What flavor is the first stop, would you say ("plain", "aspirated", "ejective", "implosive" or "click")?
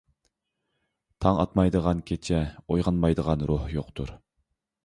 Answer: aspirated